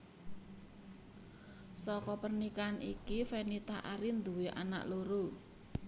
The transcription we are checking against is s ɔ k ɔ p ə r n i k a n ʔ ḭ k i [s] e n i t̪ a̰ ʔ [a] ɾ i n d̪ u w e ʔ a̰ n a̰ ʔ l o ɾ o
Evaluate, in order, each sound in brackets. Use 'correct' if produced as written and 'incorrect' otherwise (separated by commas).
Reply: incorrect, correct